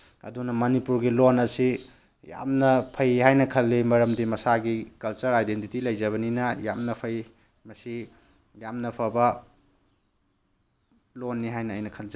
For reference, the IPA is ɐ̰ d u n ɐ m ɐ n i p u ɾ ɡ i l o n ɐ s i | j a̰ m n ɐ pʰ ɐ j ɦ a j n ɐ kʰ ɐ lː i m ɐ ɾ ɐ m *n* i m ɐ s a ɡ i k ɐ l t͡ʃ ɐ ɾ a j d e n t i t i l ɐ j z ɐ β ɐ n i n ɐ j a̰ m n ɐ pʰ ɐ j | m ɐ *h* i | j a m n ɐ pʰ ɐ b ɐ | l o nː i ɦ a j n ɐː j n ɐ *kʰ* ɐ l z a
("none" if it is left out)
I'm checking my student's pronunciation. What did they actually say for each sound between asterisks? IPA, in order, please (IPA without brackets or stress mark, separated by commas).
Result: d, s, kʰ